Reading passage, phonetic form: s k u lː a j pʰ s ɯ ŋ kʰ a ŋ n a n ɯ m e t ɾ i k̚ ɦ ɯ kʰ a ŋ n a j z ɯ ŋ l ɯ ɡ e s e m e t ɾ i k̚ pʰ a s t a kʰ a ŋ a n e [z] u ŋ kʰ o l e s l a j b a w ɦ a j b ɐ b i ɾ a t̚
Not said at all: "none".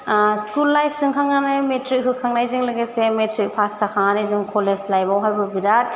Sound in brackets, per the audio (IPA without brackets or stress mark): z